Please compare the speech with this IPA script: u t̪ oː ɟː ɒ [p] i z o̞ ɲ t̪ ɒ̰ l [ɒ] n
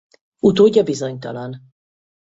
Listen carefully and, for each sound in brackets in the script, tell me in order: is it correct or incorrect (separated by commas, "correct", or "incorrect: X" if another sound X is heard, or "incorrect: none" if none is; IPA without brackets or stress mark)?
incorrect: b, correct